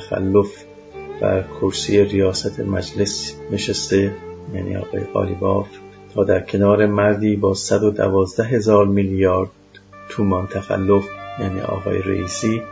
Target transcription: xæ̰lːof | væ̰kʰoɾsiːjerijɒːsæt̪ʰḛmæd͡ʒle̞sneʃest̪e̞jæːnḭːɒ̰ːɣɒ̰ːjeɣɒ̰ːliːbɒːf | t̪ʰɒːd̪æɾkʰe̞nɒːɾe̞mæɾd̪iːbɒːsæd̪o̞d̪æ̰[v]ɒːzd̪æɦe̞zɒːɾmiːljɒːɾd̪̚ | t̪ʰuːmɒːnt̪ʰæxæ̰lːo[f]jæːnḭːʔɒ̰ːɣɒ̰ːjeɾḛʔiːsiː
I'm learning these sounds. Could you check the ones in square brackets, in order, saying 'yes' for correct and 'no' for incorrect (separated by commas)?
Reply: yes, yes